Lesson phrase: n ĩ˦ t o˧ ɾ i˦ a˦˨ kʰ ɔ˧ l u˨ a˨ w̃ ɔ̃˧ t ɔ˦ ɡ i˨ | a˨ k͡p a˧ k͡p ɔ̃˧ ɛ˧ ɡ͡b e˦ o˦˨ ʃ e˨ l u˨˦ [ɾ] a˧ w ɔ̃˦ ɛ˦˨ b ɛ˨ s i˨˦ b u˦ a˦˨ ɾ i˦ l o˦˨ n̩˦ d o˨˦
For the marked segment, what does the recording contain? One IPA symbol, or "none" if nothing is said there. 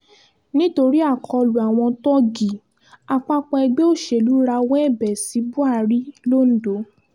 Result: ɾ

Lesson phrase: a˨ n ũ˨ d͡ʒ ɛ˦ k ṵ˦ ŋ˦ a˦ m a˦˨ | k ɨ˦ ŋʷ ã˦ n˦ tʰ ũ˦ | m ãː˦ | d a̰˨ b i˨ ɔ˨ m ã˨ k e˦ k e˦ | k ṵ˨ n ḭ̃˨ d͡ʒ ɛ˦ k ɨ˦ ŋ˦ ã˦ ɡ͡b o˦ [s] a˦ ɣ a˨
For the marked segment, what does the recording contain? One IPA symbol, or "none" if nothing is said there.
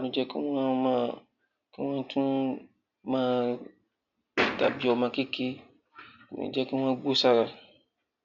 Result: s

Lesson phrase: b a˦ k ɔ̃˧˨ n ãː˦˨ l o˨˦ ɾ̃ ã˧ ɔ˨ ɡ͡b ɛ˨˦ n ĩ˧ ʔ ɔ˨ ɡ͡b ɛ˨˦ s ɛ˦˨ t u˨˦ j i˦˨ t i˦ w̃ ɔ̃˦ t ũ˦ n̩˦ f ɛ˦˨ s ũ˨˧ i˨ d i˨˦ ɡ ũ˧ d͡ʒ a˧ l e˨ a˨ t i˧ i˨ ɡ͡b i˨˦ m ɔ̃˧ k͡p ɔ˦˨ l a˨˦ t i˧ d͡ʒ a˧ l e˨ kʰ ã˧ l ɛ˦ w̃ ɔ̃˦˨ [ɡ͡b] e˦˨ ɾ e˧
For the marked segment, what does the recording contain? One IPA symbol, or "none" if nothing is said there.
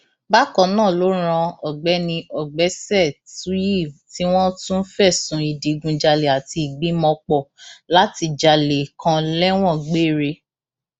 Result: ɡ͡b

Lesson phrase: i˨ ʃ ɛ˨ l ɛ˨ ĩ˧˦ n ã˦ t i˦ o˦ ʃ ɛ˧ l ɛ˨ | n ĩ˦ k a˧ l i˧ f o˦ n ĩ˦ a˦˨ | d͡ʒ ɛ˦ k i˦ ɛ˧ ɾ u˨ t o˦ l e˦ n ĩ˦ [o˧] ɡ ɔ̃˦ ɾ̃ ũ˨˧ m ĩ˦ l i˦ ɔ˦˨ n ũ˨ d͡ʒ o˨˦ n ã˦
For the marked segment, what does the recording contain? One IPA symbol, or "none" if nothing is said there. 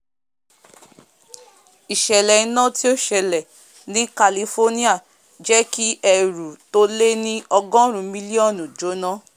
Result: ɔ˧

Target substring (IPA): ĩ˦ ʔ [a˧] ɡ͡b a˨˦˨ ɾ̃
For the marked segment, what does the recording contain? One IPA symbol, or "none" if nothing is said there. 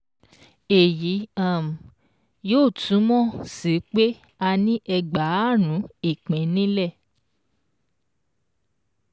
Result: ɛ˧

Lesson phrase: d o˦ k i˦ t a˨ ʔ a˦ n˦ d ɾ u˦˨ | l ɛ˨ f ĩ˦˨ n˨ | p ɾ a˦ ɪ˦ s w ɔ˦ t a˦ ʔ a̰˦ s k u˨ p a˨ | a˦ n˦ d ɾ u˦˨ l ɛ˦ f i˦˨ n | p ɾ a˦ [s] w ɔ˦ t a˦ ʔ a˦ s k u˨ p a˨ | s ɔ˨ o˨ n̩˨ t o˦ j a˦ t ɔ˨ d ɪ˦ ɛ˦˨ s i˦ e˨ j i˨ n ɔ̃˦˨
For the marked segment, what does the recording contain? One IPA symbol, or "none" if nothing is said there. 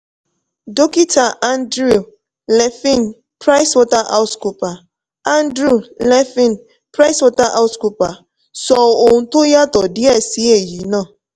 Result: s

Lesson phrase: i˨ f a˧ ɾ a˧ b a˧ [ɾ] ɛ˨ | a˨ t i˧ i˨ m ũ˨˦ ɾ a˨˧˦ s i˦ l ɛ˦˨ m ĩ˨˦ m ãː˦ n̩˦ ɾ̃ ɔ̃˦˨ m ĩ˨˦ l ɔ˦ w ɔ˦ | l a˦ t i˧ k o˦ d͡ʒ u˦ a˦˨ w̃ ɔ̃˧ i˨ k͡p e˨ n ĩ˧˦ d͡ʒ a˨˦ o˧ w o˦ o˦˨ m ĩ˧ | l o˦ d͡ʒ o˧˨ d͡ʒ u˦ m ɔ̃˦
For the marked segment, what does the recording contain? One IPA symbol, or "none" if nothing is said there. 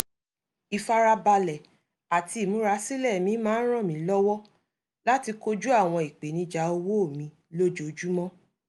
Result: l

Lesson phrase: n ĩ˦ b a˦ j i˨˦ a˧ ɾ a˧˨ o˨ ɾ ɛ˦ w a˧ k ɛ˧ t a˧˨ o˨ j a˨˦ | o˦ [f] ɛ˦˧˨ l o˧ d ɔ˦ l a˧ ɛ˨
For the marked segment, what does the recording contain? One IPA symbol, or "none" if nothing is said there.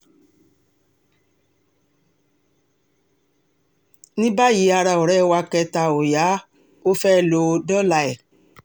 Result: f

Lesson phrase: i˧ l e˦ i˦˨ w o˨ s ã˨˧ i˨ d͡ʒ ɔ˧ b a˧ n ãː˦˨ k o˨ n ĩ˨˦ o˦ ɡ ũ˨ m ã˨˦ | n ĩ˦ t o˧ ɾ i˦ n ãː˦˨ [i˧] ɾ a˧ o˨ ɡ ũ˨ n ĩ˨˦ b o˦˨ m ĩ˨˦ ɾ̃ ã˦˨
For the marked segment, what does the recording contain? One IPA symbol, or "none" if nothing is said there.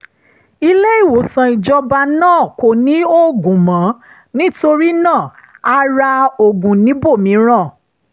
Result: a˧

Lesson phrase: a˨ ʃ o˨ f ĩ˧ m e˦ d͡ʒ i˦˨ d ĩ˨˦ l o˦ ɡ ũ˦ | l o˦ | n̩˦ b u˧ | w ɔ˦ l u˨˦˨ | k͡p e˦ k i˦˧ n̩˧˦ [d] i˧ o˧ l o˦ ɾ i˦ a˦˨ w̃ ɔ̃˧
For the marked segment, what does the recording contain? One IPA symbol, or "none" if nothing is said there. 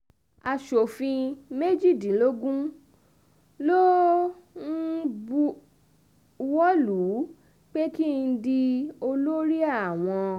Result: d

